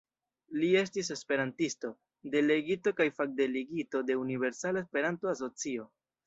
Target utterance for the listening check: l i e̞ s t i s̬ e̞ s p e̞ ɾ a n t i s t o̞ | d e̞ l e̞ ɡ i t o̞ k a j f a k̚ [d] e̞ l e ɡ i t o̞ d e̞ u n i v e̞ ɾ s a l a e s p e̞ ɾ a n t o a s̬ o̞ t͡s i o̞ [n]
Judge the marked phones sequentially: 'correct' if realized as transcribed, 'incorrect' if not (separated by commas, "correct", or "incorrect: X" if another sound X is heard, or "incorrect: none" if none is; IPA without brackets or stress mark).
correct, incorrect: none